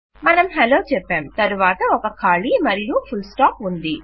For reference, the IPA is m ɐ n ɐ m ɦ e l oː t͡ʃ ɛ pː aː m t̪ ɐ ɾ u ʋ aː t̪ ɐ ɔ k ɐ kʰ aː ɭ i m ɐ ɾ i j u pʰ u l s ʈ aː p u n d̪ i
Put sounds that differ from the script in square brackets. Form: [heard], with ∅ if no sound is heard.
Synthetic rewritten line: m ɐ n ɐ m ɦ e l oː t͡ʃ ɛ pː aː m t̪ ɐ ɾ u ʋ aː t̪ ɐ ɔ k ɐ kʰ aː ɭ i m ɐ ɾ i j u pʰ u l s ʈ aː p u n d̪ i